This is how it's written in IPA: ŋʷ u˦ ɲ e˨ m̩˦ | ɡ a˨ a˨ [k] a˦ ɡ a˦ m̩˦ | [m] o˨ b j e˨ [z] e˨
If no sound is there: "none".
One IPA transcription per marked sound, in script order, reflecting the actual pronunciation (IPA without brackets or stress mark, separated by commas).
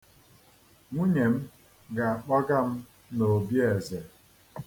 k͡p, n, z